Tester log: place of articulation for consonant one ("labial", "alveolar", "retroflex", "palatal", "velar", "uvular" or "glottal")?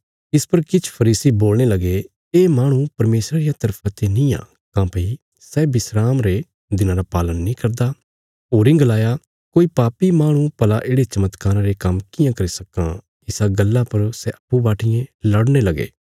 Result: alveolar